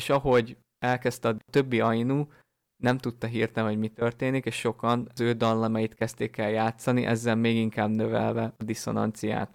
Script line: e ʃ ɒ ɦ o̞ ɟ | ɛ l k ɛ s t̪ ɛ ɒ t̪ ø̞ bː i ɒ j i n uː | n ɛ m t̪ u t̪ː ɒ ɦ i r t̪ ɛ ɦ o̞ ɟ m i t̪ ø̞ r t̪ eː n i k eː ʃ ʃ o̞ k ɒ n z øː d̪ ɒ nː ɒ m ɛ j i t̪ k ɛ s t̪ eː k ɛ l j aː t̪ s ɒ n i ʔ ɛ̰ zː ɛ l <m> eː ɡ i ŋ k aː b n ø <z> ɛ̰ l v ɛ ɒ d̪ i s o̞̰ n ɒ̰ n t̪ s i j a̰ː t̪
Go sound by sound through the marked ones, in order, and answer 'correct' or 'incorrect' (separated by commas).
correct, incorrect